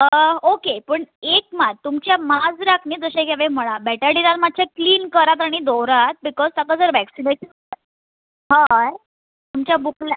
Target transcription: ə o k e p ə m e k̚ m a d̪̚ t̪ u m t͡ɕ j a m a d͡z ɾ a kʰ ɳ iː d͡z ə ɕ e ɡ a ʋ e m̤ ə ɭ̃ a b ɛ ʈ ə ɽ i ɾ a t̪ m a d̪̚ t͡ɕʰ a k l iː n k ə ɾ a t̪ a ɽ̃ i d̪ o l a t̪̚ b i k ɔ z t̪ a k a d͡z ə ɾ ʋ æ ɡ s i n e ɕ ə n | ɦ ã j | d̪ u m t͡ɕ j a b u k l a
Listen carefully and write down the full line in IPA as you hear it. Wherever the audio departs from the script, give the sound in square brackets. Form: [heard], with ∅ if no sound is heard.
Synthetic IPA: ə o k e p ə [ɳ] e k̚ m a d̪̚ t̪ u m t͡ɕ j a m a d͡z ɾ a kʰ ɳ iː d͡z ə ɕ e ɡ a ʋ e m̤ ə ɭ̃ a b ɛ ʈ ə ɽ i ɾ a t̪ m a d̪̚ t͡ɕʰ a k l iː n k ə ɾ a t̪ a ɽ̃ i d̪ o [ɾ] a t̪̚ b i k ɔ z t̪ a k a d͡z ə ɾ ʋ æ [k] s i n e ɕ ə n | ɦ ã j | [t̪] u m t͡ɕ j a b u k l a